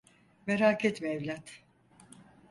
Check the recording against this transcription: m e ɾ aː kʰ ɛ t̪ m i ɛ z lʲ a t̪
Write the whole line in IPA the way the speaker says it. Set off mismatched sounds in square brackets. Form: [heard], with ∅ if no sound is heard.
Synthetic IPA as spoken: m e ɾ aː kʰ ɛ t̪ m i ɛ [v] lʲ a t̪

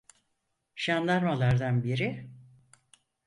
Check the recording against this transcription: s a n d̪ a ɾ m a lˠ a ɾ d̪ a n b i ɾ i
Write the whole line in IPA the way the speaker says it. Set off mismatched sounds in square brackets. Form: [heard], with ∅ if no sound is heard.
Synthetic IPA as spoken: [ʃ] a n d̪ a ɾ m a lˠ a ɾ d̪ a n b i ɾ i

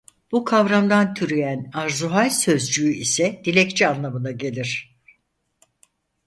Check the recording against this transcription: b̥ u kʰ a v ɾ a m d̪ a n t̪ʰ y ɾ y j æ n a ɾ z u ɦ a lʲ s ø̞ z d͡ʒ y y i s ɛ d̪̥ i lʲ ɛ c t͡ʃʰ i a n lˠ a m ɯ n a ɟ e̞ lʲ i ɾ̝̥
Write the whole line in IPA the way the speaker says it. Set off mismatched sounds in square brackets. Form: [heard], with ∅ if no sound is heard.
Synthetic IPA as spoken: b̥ u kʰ a v ɾ a m d̪ a n t̪ʰ y ɾ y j æ n a ɾ z u ɦ a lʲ s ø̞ z d͡ʒ y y i s ɛ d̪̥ i lʲ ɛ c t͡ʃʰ i a n lˠ a m ɯ n a ɟ e̞ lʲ i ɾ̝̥

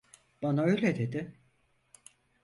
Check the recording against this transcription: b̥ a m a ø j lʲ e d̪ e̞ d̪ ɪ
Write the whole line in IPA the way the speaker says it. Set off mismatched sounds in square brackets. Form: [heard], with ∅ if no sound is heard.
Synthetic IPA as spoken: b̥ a [n] a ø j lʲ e d̪ e̞ d̪ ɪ

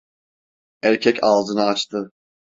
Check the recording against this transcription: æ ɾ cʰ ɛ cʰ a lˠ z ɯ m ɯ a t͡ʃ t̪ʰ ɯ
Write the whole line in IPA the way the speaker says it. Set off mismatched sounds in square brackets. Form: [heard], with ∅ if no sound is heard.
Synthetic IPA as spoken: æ ɾ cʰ ɛ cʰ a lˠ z ɯ [n] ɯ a t͡ʃ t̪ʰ ɯ

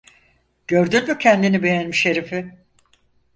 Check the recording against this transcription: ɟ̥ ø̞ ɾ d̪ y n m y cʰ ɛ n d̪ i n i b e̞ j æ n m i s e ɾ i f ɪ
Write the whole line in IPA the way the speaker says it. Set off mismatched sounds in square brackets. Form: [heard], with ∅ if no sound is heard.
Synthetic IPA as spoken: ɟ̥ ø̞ ɾ d̪ y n m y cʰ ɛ n d̪ i n i b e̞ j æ n m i [ʃ] e ɾ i f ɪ

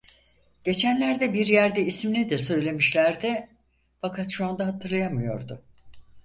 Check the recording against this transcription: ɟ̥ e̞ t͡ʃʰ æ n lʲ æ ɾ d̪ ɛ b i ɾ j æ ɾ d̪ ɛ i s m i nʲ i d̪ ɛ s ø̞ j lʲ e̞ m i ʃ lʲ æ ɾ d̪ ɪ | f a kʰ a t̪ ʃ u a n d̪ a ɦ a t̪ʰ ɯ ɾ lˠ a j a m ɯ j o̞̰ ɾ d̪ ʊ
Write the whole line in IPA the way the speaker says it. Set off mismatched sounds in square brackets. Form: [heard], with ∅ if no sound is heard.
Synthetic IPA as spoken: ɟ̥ e̞ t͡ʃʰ æ n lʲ æ ɾ d̪ ɛ b i ɾ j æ ɾ d̪ ɛ i s m i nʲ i d̪ ɛ s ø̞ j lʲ e̞ m i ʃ lʲ æ ɾ d̪ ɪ | f a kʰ a t̪ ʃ u a n d̪ a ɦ a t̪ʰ ɯ ɾ lˠ a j a m ɯ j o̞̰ ɾ d̪ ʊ

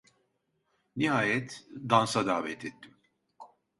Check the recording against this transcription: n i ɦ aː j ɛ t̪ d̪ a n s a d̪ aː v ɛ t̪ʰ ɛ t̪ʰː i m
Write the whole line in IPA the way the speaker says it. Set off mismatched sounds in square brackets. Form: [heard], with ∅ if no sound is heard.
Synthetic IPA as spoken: n i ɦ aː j ɛ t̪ d̪ a n s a d̪ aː v ɛ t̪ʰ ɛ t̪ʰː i m

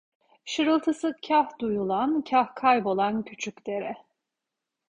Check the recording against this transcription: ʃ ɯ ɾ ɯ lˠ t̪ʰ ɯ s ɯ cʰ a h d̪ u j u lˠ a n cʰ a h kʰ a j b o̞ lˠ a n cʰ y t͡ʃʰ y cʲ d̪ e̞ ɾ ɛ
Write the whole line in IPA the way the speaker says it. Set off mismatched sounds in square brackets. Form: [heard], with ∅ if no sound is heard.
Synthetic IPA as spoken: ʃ ɯ ɾ ɯ lˠ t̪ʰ ɯ s ɯ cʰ a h d̪ u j u lˠ a n cʰ a h kʰ a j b o̞ lˠ a n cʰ y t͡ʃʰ y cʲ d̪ e̞ ɾ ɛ

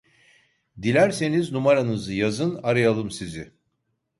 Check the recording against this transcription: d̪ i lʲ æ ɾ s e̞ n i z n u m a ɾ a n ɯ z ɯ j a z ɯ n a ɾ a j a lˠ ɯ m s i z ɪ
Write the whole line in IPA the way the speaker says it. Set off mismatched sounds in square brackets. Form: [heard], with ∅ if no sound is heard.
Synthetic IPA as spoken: d̪ i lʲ æ ɾ s e̞ n i z n u m a ɾ a n ɯ z ɯ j a z ɯ n a ɾ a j a lˠ ɯ m s i z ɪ

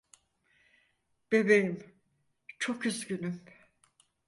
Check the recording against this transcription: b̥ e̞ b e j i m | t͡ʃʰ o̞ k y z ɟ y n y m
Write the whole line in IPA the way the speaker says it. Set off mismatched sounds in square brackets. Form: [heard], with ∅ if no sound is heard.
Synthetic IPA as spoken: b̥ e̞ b e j i m | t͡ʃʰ o̞ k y z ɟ y n y m

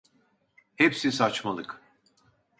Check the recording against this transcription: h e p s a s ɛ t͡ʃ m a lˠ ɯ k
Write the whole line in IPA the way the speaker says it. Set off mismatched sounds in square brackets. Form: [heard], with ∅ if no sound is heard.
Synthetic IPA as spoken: h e p s [i] s [a] t͡ʃ m a lˠ ɯ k

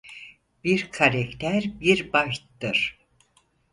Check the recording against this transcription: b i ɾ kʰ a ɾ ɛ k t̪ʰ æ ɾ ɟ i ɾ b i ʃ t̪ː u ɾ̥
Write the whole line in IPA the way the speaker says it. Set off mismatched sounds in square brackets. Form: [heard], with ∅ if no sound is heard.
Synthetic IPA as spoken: b i ɾ kʰ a ɾ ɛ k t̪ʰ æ ɾ [b] i ɾ b [a] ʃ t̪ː [ɯ] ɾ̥

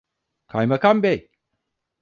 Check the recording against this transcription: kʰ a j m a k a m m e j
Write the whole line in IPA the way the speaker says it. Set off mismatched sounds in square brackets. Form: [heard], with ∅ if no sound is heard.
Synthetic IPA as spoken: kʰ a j m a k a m [b] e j

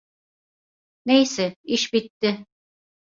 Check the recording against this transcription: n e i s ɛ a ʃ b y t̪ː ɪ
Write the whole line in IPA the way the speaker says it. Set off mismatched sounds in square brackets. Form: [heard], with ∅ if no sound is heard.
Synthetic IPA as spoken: n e [j] s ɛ [i] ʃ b [i] t̪ː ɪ

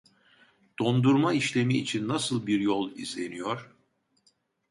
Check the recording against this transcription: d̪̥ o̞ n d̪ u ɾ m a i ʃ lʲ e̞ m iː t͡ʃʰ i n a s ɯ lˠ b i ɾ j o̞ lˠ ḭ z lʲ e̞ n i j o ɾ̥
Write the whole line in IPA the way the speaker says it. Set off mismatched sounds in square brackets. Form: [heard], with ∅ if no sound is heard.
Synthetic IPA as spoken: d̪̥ o̞ n d̪ u ɾ m a i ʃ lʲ e̞ m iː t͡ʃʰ i [nː] a s ɯ lˠ b i ɾ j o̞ lˠ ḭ z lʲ e̞ n i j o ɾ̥

